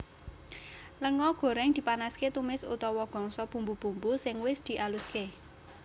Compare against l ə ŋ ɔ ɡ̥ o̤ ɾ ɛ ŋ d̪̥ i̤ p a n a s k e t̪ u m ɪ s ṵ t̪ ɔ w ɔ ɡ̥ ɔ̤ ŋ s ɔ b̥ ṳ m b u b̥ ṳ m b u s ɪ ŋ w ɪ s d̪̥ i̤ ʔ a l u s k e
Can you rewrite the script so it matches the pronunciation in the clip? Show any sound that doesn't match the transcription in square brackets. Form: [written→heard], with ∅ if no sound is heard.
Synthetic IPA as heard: l ə ŋ ɔ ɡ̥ o̤ ɾ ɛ ŋ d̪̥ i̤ p a n a s k e t̪ u m ɪ s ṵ t̪ ɔ w ɔ ɡ̥ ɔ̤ ŋ s ɔ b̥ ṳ m b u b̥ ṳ m b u s ɪ ŋ w ɪ s d̪̥ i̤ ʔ a l u s k e

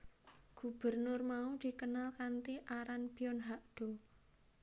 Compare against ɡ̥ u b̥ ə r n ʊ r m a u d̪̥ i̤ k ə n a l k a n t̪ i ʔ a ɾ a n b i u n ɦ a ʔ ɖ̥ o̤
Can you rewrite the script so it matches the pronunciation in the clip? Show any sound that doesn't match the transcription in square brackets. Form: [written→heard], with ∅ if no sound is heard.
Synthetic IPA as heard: ɡ̥ u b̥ ə r n ʊ r m a u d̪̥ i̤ k ə n a l k a n t̪ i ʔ a ɾ a n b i [u→ɔ] n ɦ a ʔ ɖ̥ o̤

